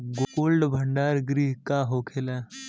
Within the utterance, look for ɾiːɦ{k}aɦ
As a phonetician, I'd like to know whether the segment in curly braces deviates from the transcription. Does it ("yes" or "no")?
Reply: no